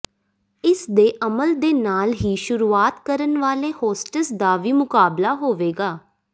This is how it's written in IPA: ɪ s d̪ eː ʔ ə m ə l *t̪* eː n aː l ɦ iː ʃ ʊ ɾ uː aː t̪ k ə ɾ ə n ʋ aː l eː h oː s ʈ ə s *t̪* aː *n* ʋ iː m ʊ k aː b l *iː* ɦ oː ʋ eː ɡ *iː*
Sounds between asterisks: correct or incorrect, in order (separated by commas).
incorrect, incorrect, incorrect, incorrect, incorrect